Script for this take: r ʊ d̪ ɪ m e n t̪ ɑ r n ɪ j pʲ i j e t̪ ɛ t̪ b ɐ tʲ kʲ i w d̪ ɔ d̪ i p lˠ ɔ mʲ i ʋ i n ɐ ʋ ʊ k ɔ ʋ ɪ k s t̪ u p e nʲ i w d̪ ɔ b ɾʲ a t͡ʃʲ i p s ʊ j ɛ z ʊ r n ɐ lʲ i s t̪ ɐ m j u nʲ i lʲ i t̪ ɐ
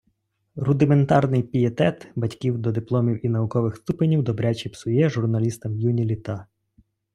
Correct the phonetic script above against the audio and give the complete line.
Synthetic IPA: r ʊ d̪ ɪ m e n t̪ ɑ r n ɪ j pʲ i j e t̪ ɛ t̪ b ɐ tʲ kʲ i w d̪ ɔ d̪ ɪ p lˠ ɔ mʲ i w i n ɐ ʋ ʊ k ɔ ʋ ɪ x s t̪ u p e nʲ i w d̪ ɔ b ɾʲ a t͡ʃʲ i p s ʊ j ɛ ʒ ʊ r n ɐ lʲ i s t̪ ɐ m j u nʲ i lʲ i t̪ ɑ